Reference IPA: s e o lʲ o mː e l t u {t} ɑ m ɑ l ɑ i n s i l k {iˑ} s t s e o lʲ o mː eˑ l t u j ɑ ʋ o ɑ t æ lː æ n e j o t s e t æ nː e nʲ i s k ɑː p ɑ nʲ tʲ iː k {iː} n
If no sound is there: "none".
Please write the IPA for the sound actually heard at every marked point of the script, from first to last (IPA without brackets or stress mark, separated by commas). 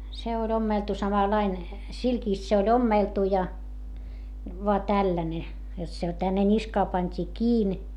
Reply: s, iˑ, iː